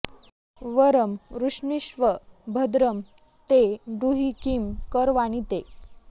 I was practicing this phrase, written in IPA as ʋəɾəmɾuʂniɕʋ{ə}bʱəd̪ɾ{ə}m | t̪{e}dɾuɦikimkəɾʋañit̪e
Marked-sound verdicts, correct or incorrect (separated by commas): correct, correct, correct